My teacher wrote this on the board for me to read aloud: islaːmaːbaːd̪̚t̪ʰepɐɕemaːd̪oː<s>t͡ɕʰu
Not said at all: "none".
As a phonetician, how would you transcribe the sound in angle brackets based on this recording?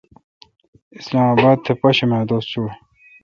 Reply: s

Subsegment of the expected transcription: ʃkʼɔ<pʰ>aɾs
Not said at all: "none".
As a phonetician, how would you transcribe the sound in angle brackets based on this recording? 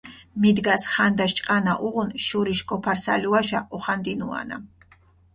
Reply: pʰ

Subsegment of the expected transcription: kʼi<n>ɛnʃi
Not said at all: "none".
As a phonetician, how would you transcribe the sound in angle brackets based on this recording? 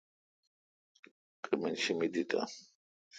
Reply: m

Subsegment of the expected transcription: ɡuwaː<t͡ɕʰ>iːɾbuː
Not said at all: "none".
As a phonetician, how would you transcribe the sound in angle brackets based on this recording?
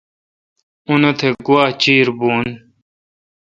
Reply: t͡ɕ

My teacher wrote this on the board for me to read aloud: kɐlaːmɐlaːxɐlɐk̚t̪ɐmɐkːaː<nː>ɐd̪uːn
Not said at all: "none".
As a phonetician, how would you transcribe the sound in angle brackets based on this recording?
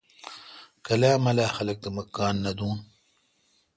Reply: nː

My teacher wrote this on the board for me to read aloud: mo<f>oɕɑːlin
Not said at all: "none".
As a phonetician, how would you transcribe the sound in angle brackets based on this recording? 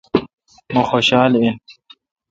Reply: x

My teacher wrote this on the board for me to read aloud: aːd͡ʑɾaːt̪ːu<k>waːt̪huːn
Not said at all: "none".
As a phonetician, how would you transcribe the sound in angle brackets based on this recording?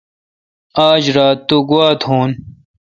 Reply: ɡ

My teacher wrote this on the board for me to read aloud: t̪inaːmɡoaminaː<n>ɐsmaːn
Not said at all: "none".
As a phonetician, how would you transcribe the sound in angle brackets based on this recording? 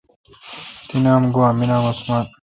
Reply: m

